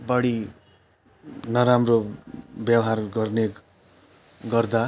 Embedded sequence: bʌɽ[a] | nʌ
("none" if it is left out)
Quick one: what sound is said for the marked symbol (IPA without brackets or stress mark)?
i